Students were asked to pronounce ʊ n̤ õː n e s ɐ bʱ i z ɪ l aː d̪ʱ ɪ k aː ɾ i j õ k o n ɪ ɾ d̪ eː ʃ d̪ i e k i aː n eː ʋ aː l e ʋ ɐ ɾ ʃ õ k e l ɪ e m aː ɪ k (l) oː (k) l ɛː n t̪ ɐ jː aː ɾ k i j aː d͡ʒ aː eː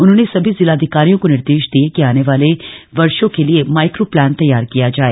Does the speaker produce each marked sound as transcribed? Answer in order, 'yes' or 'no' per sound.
no, no

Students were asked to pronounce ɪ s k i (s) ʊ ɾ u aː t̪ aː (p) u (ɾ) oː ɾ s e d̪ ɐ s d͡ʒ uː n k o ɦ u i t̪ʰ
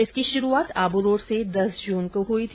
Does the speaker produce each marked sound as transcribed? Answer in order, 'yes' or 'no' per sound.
no, no, yes

